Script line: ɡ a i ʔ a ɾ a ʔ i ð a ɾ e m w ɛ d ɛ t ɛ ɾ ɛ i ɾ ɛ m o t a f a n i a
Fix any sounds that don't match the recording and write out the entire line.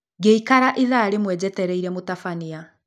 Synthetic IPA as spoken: ɡ e i k a ɾ a ʔ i ð a ɾ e m w ɛ d͡ʑ ɛ t ɛ ɾ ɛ i ɾ ɛ m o t a f a n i a